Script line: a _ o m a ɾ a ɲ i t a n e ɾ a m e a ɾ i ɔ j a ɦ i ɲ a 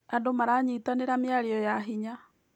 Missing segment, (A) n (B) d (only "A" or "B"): B